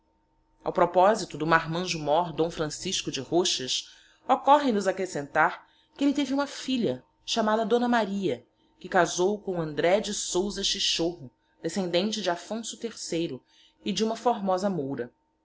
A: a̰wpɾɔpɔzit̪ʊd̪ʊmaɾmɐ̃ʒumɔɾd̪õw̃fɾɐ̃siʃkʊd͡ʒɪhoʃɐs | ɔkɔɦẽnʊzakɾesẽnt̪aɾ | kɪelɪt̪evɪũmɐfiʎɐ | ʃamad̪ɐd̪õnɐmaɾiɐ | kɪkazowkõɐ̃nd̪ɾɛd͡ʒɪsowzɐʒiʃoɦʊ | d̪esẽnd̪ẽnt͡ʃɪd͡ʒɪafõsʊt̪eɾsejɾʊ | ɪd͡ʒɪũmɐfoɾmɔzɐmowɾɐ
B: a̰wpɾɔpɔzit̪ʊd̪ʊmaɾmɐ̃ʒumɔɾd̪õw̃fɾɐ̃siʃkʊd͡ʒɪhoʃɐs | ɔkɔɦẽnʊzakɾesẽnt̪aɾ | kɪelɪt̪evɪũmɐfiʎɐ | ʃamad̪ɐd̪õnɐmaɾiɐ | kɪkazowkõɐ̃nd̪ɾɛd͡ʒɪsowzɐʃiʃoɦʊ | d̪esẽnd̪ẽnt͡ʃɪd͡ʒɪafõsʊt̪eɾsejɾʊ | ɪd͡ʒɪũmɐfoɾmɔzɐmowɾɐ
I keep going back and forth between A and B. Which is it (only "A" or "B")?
B